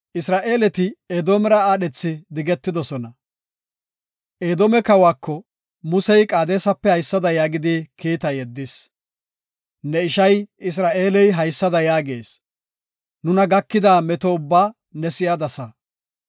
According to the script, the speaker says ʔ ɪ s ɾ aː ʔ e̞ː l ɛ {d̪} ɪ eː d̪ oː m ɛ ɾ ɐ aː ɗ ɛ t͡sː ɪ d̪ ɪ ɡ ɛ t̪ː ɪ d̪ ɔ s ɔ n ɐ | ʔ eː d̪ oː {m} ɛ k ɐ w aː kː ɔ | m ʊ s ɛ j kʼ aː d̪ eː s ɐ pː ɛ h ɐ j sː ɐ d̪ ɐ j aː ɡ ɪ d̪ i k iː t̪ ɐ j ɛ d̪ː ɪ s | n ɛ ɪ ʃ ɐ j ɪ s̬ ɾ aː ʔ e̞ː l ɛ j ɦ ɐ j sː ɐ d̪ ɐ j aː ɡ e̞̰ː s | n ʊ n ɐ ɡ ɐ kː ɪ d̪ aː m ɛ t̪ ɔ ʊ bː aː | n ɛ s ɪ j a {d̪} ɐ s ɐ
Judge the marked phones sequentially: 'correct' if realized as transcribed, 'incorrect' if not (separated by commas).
incorrect, correct, correct